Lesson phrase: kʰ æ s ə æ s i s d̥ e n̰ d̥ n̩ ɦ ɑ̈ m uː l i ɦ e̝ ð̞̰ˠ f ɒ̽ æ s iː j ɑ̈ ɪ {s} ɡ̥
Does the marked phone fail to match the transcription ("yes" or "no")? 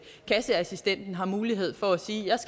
no